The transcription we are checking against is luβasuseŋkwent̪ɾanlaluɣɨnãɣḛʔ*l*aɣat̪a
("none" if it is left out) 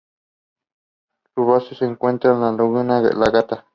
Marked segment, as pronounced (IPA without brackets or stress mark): l